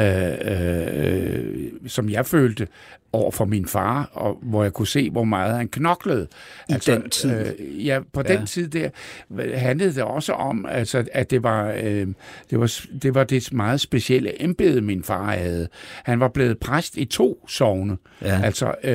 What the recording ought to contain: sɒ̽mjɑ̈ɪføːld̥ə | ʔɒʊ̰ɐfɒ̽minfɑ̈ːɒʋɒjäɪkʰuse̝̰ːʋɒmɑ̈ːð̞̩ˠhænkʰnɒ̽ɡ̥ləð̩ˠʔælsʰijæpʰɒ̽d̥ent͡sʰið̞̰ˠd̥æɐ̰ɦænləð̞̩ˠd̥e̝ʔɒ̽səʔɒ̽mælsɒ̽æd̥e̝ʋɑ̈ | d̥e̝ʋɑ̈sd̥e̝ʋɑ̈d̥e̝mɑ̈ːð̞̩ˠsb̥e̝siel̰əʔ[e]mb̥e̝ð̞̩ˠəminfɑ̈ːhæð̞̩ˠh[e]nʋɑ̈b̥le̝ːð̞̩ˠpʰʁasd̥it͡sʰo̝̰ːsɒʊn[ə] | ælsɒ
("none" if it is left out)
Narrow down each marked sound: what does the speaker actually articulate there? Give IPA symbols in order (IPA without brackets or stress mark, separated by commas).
e, æ, ə